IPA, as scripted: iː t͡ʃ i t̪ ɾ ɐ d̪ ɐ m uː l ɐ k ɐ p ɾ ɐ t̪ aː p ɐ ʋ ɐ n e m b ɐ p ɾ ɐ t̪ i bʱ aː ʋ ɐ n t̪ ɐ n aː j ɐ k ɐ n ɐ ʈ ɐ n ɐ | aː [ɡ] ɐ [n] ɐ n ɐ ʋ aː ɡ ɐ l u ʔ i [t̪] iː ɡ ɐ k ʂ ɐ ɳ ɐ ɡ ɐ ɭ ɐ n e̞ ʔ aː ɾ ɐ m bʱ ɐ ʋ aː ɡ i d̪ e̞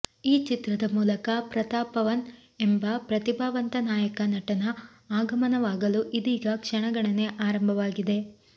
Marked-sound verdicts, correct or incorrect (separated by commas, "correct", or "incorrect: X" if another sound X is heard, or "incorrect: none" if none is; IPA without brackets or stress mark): correct, incorrect: m, incorrect: d̪